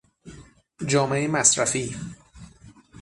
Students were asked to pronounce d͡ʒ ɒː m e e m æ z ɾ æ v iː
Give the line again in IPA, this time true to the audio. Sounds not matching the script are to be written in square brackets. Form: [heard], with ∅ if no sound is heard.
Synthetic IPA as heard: d͡ʒ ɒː m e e m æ [s] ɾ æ [f] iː

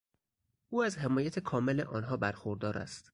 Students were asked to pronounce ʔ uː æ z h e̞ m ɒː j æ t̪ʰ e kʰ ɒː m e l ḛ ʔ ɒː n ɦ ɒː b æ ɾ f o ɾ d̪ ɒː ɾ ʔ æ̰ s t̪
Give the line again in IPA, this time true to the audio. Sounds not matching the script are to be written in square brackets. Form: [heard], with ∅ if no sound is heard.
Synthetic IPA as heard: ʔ uː æ z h e̞ m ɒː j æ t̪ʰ e kʰ ɒː m e l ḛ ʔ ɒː n ɦ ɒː b æ ɾ [x] o ɾ d̪ ɒː ɾ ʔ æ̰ s t̪

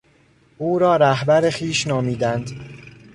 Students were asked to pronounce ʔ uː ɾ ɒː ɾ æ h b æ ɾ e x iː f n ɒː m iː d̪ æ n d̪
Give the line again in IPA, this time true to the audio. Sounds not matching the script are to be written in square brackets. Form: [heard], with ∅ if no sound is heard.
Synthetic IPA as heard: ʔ uː ɾ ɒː ɾ æ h b æ ɾ e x iː [ʃ] n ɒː m iː d̪ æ n d̪

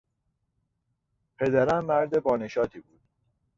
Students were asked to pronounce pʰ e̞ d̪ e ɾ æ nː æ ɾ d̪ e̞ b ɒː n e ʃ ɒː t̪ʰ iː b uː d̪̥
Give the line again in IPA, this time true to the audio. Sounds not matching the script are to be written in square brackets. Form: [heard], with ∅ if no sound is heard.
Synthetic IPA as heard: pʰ e̞ d̪ [æ] ɾ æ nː æ ɾ d̪ e̞ b ɒː n e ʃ ɒː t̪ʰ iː b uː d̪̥

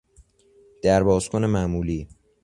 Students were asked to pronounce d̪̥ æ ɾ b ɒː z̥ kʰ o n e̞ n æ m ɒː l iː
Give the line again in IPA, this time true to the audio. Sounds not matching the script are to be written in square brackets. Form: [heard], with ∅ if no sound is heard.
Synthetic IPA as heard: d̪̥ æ ɾ b ɒː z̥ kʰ o n e̞ [m] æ m [uː] l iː

